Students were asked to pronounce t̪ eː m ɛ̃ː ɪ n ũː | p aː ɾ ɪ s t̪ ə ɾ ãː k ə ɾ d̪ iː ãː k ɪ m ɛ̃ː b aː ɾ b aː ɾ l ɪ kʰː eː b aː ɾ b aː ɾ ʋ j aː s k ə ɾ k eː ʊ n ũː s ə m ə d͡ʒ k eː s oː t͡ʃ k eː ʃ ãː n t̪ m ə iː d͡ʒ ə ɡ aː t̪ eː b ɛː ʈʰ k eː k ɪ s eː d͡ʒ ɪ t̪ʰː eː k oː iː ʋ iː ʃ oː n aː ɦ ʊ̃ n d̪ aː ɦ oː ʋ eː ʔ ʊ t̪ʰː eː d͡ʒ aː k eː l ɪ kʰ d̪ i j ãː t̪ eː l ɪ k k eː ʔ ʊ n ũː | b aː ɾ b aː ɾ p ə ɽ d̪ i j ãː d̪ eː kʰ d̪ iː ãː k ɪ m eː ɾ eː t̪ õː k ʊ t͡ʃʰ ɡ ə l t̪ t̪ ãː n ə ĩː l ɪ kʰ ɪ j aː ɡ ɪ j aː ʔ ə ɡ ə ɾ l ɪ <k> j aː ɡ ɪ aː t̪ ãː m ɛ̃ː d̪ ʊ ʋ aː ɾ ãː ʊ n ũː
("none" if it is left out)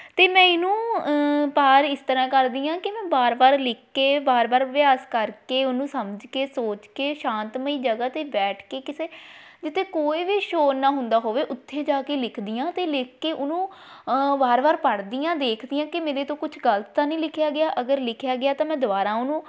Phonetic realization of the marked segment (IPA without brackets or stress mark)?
kʰ